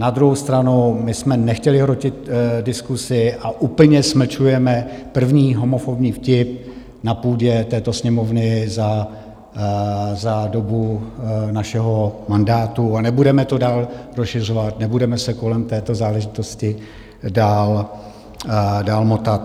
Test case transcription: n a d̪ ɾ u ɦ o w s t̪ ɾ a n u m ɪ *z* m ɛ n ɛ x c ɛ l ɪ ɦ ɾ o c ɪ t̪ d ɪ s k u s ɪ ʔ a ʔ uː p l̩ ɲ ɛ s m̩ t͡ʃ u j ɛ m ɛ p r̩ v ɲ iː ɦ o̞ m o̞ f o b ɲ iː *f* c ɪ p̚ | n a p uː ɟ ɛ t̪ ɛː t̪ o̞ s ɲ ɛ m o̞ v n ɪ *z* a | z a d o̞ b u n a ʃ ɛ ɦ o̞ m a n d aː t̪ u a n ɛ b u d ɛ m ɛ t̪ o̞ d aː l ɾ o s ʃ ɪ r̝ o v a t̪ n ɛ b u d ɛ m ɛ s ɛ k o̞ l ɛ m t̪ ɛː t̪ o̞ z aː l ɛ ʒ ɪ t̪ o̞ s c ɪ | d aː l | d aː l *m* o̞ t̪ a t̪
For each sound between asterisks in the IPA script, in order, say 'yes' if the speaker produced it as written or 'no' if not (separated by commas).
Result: no, yes, yes, yes